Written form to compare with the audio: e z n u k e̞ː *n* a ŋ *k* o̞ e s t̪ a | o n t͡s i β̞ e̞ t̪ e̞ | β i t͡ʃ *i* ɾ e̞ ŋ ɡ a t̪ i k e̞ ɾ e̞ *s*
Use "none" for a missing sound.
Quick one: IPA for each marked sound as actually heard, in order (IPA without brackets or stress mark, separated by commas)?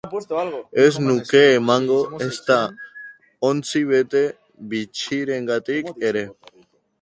m, ɡ, i, none